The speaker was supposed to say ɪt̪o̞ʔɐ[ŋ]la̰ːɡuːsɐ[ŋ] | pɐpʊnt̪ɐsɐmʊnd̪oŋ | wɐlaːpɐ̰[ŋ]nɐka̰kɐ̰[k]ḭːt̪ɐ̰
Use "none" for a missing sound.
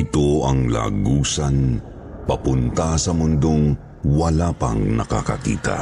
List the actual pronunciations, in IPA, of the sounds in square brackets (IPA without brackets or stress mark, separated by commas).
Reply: ŋ, n, ŋ, k